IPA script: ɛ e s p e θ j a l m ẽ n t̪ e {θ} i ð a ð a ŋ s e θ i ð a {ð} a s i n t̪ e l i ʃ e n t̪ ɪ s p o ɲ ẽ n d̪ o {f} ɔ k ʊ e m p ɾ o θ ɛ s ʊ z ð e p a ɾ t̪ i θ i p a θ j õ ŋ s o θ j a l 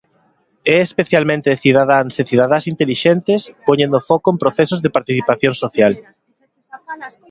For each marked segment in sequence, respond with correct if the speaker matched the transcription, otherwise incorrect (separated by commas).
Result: correct, correct, correct